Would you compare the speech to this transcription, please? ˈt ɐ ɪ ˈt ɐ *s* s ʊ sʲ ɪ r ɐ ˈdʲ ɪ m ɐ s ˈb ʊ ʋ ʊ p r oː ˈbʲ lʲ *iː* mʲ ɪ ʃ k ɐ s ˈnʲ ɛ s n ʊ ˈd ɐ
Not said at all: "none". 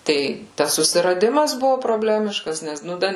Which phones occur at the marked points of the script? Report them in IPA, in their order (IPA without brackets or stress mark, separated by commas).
s, æː